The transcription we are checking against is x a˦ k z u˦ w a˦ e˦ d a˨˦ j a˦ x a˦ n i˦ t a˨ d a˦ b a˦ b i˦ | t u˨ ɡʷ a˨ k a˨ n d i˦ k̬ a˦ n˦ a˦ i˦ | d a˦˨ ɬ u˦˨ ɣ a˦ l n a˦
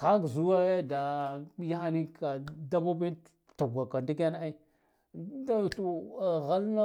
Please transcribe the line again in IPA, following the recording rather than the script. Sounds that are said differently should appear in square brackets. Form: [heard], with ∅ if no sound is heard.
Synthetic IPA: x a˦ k z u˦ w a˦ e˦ d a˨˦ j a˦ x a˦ n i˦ [k] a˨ d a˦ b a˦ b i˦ | t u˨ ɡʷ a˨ k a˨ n d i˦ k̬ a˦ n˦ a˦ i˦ | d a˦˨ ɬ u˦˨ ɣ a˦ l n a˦